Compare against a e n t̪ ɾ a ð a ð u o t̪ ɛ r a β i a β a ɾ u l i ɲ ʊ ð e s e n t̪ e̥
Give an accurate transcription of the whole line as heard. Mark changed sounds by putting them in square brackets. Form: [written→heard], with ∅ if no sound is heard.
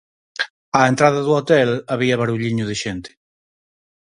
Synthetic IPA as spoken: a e n t̪ ɾ a ð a ð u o t̪ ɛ [r→l] a β i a β a ɾ u [l→ʎ] i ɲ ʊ ð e [s→ʃ] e n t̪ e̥